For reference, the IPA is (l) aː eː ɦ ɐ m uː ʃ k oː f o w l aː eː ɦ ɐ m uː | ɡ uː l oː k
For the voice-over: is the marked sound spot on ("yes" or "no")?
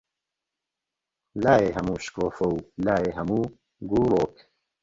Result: yes